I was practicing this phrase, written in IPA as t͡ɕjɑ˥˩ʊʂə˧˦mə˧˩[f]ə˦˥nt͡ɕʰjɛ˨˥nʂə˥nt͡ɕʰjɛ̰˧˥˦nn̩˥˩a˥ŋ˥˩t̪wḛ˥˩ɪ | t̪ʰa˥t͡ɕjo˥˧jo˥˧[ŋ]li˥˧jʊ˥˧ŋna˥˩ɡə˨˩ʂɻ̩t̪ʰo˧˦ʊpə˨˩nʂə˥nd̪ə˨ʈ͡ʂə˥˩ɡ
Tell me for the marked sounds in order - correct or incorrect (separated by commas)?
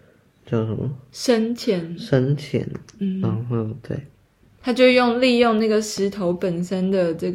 incorrect, correct